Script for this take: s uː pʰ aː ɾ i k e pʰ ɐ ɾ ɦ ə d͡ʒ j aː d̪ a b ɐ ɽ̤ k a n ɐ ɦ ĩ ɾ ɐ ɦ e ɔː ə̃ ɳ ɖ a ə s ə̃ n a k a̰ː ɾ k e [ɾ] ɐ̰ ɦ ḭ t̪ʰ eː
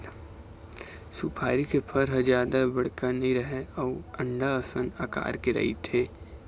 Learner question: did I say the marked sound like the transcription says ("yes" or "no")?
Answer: yes